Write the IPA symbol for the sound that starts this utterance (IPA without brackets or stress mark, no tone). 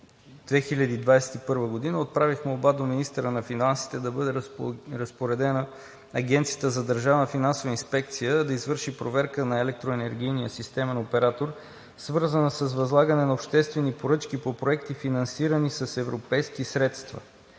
d̪